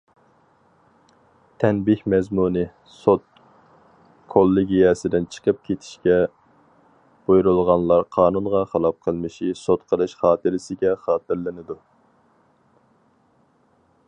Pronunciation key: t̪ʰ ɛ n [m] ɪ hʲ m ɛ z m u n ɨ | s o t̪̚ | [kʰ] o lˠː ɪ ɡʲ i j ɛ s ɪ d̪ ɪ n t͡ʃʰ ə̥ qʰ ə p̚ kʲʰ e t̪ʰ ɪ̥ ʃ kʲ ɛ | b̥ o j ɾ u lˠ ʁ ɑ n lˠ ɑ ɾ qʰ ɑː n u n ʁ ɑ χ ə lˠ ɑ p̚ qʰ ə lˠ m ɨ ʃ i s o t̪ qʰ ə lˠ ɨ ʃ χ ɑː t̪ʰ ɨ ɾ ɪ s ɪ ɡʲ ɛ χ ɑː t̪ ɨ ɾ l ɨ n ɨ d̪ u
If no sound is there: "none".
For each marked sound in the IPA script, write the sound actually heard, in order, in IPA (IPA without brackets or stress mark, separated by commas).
b, kʰ